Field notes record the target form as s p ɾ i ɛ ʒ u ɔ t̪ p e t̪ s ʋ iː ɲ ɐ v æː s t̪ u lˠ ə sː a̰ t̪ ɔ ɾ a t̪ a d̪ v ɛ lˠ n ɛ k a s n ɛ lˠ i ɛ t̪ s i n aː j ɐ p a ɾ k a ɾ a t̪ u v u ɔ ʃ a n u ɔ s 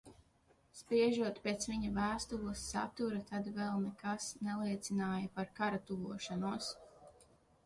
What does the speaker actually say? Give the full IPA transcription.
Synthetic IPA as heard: s p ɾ i ɛ ʒ u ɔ t̪ p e t̪ s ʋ i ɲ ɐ v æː s t̪ u lˠ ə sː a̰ t̪ u ɾ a t̪ a d̪ v ɛ lˠ n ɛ k a s n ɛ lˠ i ɛ t̪ s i n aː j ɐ p a ɾ k a ɾ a t̪ u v u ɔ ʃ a n u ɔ s